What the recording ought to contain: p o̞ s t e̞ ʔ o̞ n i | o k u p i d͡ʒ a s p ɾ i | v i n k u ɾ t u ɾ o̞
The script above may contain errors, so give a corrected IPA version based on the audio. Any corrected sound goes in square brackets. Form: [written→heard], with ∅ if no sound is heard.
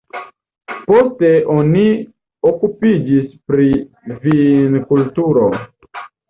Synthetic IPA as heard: p o̞ s t e̞ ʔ o̞ n i | o k u p i d͡ʒ [a→i] s p ɾ i | v i n k u [ɾ→l] t u ɾ o̞